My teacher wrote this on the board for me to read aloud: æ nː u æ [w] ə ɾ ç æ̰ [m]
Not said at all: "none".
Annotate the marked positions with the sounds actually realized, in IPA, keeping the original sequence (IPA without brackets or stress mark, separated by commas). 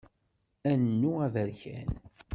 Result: v, n